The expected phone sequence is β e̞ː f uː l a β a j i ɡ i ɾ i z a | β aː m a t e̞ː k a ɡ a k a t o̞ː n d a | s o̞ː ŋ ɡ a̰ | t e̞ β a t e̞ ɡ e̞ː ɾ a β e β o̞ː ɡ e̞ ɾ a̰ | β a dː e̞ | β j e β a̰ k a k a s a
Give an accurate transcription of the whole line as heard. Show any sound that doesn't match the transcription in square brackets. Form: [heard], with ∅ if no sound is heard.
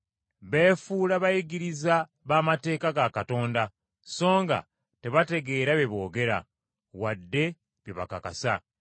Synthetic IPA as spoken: β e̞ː f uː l a β a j i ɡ i ɾ i z a | β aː m a t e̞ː k a ɡ a k a t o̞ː n d a | s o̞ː ŋ ɡ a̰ | t e̞ β a t e̞ ɡ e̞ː ɾ a β e β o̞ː ɡ e̞ ɾ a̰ | [w] a dː e̞ | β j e β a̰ k a k a s a